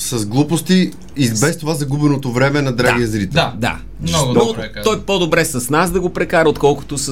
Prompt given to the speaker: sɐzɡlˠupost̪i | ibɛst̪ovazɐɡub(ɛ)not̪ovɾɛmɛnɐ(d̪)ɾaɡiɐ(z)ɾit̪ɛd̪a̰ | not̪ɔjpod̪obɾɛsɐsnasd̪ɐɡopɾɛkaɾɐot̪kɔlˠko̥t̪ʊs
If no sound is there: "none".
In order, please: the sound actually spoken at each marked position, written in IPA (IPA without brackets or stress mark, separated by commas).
ɛ, d̪, z